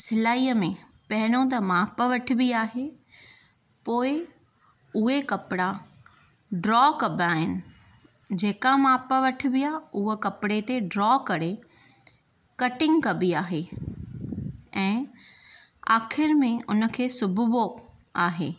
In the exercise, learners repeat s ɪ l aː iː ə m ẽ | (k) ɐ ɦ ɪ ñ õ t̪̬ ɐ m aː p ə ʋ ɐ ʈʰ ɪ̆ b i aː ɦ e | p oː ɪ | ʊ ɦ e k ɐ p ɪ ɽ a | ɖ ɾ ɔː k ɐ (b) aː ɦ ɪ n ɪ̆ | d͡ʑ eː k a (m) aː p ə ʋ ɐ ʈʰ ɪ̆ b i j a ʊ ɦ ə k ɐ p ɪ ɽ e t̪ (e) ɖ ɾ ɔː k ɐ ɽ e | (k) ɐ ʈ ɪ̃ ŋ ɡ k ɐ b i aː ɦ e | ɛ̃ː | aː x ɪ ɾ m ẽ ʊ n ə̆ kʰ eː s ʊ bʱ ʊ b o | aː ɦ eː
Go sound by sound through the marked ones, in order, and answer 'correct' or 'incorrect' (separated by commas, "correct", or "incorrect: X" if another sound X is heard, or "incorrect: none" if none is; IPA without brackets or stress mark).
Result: incorrect: p, correct, correct, correct, correct